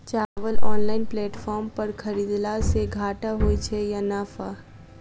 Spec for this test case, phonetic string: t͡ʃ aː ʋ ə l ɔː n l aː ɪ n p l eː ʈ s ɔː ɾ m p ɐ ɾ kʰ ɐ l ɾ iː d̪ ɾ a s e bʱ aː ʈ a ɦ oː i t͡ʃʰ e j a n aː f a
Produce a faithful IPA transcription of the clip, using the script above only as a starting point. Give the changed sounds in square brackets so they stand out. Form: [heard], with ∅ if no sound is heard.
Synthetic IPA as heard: t͡ʃ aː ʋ ə l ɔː n l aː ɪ n p l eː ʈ [f] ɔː ɾ m p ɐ ɾ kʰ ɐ [∅] ɾ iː d̪ [l] a s e [ɡʱ] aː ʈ a ɦ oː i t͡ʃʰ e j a n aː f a